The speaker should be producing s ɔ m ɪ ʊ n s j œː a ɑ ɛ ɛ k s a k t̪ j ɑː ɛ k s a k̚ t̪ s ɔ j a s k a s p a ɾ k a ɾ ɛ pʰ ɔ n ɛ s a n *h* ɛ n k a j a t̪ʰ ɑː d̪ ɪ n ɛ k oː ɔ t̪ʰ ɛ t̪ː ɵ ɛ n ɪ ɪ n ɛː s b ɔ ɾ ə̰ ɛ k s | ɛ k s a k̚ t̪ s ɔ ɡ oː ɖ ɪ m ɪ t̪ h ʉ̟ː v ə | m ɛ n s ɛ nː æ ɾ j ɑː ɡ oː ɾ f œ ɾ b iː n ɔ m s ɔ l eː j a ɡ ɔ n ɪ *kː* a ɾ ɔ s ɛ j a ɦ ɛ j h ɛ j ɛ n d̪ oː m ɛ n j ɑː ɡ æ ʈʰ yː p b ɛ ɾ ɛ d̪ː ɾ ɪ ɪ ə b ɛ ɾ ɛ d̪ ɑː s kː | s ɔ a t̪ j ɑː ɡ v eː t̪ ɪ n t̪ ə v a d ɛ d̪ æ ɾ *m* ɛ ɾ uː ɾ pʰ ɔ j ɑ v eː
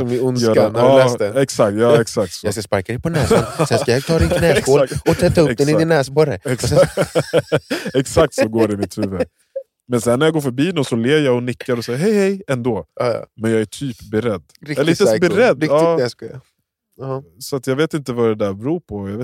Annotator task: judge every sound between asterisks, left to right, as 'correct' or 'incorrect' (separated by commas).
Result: incorrect, correct, incorrect